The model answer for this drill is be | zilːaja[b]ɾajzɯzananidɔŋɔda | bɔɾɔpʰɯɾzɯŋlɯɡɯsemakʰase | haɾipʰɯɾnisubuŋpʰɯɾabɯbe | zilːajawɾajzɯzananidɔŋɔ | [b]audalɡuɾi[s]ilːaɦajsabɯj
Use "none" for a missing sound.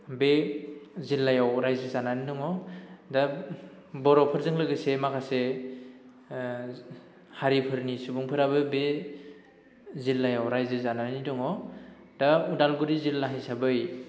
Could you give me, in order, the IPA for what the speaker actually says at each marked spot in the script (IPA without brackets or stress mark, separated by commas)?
w, d, z